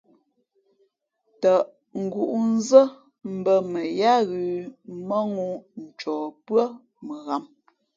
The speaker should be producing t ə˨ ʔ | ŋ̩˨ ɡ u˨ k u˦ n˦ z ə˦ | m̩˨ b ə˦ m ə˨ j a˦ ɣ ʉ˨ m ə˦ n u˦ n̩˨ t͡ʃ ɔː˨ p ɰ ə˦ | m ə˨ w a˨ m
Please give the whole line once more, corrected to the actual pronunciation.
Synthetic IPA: t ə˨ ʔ | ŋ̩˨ ɡ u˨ ʔ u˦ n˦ z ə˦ | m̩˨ b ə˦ m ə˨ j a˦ ɣ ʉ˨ m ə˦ ŋ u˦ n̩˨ t͡ʃ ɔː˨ p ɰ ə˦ | m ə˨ ɣ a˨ m